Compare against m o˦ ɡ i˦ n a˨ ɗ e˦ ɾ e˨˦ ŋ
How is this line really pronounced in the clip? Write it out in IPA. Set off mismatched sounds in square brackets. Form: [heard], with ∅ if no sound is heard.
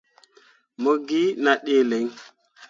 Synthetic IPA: m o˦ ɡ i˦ n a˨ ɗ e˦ [l] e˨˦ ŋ

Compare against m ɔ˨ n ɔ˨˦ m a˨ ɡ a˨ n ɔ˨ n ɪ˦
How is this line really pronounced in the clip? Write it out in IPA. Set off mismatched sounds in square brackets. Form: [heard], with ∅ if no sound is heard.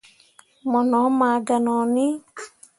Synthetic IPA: m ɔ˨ n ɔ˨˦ m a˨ ɡ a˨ n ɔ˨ n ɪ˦

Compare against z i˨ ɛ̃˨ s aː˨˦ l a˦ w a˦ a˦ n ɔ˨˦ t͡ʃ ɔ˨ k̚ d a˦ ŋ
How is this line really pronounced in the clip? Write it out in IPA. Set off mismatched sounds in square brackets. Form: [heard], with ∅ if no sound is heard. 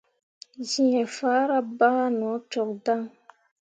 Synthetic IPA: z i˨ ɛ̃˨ [f] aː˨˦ [ɾ] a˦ [b] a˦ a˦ n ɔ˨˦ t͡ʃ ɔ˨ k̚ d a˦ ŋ

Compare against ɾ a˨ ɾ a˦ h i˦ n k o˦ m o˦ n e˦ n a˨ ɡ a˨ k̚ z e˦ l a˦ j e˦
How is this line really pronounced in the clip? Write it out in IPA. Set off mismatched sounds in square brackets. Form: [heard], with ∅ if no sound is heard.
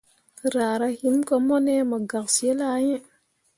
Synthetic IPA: ɾ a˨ ɾ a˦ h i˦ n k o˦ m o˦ n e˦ [m] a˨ ɡ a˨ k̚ [s] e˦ l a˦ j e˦

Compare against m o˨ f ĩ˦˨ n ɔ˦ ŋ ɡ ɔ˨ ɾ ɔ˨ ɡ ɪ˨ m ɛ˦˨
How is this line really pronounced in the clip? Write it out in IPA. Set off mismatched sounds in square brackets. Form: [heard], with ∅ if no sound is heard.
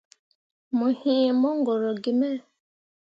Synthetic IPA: m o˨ [h] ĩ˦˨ [m] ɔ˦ ŋ ɡ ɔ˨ ɾ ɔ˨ ɡ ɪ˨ m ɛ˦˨

